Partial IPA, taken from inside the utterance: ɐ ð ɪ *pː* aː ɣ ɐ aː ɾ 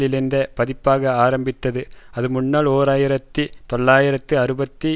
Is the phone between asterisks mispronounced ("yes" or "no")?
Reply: no